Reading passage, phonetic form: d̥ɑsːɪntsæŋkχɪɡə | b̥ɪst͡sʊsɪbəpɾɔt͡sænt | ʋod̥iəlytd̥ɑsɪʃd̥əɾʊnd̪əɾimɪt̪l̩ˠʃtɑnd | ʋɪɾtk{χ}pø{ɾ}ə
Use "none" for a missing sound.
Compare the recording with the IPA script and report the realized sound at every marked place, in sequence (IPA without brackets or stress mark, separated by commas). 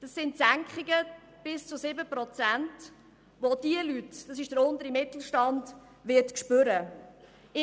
ʃ, ɾ